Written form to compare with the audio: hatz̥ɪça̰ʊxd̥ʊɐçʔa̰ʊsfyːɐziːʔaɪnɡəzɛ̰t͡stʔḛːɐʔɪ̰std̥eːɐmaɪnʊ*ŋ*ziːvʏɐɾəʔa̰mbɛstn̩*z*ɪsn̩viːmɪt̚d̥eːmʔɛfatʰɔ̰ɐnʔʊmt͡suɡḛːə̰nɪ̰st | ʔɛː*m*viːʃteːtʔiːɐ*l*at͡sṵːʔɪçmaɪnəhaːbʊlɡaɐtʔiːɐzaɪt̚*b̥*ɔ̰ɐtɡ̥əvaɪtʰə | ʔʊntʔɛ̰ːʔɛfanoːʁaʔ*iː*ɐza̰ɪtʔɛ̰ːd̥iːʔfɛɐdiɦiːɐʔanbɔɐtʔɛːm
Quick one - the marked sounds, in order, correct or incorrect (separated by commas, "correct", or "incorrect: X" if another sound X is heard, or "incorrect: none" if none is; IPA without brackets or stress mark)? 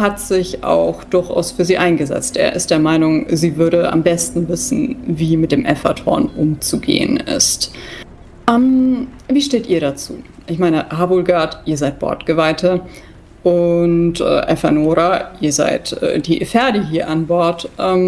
correct, incorrect: v, correct, incorrect: ɾ, correct, correct